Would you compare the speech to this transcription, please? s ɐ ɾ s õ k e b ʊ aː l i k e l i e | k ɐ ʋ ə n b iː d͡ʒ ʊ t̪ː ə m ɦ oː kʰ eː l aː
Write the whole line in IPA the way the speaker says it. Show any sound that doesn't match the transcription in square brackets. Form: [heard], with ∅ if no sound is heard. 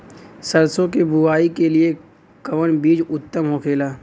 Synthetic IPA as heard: s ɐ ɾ s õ k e b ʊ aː [∅] i k e l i e | k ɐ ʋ ə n b iː d͡ʒ ʊ t̪ː ə m ɦ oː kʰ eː l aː